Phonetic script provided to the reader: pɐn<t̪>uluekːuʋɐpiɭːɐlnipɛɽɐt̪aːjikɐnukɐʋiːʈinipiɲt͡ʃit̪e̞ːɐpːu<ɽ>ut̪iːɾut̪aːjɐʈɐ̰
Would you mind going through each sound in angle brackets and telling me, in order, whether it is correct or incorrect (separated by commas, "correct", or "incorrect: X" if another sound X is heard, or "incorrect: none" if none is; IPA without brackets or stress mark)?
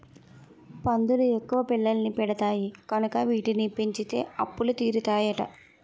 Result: incorrect: d̪, incorrect: l